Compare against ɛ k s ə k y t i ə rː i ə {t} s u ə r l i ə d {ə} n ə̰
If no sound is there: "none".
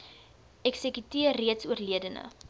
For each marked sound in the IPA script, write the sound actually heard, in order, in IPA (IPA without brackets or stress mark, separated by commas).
t, ə